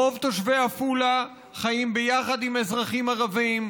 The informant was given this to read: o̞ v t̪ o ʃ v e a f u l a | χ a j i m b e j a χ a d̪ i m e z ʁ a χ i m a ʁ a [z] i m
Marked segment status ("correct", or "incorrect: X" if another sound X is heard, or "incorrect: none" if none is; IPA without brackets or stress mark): incorrect: v